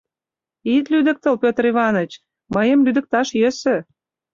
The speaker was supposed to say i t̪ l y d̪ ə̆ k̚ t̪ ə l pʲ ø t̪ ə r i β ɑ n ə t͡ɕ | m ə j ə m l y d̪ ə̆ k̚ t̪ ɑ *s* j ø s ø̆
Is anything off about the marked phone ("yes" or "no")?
yes